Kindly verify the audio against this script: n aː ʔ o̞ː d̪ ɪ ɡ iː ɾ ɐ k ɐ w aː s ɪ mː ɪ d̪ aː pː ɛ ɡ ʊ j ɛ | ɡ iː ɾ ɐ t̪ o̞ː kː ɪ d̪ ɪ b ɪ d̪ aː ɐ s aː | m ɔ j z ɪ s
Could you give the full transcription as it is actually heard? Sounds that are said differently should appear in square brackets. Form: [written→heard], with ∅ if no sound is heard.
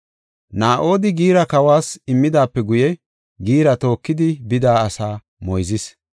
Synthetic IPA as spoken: n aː ʔ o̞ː d̪ ɪ ɡ iː ɾ ɐ k ɐ w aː s ɪ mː ɪ d̪ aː pː ɛ ɡ ʊ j ɛ | ɡ iː ɾ ɐ t̪ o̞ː kː ɪ d̪ ɪ b ɪ d̪ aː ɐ s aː | m ɔ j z ɪ s